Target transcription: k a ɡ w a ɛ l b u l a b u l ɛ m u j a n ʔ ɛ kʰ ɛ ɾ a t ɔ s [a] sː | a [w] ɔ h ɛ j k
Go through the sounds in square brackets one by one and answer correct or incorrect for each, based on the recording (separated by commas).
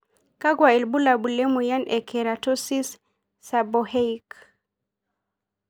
incorrect, incorrect